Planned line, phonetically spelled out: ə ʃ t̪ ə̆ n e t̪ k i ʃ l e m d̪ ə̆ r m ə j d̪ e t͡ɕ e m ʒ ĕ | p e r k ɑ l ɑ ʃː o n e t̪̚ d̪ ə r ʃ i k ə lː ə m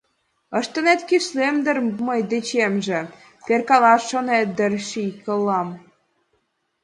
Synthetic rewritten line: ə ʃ t̪ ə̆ n e t̪ k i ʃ l e m d̪ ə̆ r m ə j d̪ e t͡ɕ e m ʒ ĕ | p e r k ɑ l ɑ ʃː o n e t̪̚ d̪ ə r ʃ i k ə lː ɑ m